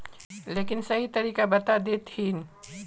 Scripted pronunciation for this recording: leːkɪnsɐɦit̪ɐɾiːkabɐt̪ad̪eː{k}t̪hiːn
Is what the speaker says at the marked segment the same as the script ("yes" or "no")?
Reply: no